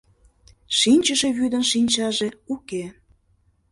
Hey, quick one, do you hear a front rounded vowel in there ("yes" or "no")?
yes